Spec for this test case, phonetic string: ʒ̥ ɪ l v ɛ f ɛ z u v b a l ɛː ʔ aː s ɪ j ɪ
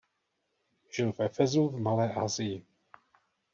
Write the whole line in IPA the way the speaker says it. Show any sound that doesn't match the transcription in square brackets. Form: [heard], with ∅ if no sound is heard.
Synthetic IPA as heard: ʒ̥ ɪ l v ɛ f ɛ z u v [m] a l ɛː ʔ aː [z] ɪ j ɪ